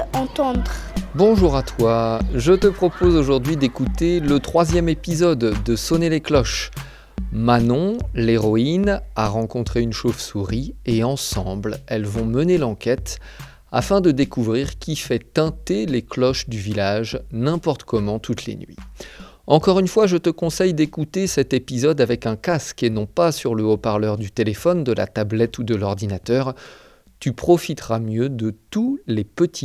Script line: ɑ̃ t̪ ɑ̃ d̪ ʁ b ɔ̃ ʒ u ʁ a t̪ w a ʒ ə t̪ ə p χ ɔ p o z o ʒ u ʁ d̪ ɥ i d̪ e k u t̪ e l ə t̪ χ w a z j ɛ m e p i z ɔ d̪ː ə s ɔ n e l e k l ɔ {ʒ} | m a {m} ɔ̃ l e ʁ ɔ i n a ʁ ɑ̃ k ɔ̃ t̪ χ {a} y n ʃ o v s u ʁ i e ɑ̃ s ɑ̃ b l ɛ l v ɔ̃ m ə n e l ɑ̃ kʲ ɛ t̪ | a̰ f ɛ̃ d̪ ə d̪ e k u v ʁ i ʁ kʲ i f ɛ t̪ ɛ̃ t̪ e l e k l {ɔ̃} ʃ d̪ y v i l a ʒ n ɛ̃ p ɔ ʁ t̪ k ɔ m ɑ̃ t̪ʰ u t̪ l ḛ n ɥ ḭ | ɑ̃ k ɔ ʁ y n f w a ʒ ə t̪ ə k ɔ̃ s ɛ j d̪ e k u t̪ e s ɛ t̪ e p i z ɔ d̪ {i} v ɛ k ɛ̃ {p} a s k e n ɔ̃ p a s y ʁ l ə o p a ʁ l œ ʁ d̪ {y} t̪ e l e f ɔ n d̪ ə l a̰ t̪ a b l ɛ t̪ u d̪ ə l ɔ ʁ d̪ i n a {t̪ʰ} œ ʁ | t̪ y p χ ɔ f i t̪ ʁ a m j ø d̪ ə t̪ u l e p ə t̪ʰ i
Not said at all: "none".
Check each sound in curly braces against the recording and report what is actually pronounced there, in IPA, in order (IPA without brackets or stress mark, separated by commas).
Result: ʃ, n, e, ɔ, a, k, y, t̪